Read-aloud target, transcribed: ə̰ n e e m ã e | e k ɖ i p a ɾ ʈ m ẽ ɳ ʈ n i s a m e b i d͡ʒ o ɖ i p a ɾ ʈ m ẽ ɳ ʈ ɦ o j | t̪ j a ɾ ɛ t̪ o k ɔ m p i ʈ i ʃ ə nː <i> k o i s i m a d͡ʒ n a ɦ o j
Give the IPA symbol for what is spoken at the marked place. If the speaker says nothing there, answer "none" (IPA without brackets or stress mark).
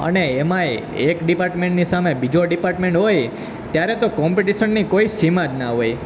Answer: i